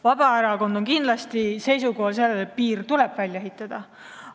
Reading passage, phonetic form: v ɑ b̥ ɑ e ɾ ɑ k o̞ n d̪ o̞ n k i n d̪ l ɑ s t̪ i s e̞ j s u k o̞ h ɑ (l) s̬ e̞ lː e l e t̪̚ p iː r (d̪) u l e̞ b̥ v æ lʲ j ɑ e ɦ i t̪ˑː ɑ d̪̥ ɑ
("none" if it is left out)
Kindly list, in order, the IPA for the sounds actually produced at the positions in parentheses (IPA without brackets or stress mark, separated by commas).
l, t̪